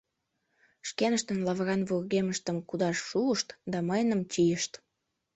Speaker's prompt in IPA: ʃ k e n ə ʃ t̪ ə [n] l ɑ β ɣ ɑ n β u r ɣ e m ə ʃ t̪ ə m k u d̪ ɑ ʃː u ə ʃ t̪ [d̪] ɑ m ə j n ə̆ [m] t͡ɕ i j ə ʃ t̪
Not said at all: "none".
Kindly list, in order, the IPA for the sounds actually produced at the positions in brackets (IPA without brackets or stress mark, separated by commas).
n, d̪, m